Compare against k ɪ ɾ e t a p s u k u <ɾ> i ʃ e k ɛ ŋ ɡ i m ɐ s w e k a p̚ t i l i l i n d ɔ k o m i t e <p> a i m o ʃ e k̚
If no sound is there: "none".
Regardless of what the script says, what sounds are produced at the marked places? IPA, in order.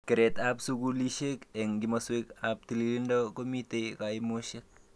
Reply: l, k

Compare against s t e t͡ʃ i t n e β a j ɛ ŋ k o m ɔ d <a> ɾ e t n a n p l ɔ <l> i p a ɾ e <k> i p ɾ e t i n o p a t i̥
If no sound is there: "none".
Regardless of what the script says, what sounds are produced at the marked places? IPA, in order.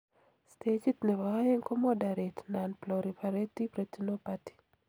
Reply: a, ɾ, t

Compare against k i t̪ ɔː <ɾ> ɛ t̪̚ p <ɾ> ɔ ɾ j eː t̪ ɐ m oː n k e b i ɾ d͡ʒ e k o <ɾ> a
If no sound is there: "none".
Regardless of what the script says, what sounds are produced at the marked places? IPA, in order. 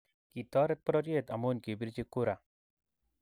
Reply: ɾ, ɾ, ɾ

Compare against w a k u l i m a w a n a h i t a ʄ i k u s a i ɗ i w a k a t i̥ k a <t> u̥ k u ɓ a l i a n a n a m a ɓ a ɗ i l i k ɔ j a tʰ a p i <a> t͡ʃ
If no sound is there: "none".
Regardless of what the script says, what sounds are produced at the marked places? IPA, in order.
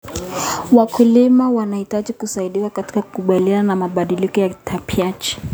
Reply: k, a

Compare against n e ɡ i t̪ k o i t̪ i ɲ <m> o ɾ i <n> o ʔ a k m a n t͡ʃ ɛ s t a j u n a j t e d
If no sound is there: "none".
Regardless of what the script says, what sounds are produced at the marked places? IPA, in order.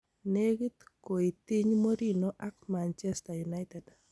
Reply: m, n

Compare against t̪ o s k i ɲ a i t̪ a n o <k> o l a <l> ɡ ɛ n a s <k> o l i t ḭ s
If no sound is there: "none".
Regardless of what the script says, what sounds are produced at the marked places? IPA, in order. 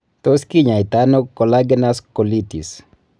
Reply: k, none, k

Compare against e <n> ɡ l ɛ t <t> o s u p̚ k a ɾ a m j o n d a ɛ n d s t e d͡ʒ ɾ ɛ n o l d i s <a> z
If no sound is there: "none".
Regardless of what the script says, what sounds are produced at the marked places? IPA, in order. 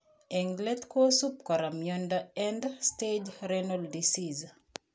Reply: ŋ, k, i

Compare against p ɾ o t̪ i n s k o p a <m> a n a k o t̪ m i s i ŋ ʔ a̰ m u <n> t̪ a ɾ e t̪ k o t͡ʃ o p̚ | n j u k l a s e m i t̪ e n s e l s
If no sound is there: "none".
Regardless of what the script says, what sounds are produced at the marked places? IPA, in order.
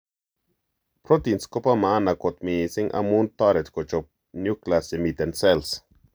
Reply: m, n

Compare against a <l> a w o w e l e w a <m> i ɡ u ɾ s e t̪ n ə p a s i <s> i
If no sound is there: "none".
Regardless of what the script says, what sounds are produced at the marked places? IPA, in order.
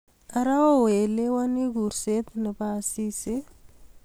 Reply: ɾ, n, s

